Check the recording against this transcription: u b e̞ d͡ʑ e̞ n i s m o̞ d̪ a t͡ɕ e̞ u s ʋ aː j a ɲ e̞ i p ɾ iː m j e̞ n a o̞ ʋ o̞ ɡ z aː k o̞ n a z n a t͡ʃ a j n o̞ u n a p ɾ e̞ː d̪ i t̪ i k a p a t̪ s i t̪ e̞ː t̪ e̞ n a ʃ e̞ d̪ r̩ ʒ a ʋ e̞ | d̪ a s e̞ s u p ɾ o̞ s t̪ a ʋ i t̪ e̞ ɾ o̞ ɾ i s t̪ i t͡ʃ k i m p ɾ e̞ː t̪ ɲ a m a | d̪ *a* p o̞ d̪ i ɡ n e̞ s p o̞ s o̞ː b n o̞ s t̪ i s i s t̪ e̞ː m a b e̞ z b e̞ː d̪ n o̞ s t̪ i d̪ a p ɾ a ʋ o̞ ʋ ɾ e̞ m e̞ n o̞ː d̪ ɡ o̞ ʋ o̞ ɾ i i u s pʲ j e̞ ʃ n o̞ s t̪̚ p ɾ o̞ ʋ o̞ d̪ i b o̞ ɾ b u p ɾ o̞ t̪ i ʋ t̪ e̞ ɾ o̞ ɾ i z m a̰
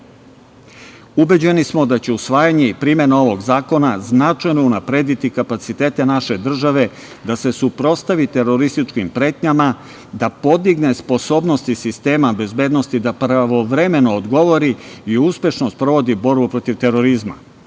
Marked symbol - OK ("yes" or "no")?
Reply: yes